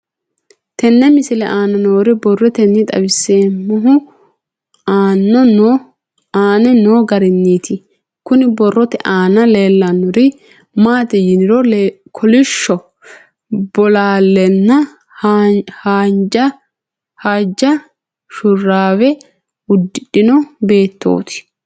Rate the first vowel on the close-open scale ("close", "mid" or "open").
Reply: mid